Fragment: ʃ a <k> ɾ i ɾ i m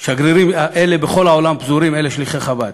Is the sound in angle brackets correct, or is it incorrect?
incorrect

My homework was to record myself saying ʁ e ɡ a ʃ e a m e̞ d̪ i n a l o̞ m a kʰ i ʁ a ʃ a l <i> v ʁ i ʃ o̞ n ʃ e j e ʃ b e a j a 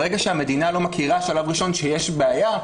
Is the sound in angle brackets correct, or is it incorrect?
incorrect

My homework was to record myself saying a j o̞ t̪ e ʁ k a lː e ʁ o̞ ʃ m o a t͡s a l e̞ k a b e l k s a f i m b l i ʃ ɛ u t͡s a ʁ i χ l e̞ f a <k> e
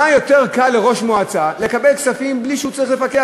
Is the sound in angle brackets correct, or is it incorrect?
correct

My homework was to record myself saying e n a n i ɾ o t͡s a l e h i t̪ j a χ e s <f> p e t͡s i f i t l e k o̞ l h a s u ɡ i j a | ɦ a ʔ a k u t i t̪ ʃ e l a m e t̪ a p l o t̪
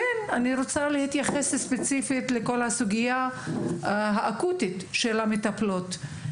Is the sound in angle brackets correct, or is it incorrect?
incorrect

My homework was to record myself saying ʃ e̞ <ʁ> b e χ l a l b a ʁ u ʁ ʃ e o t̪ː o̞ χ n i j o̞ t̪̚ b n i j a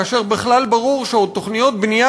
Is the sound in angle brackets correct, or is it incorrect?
correct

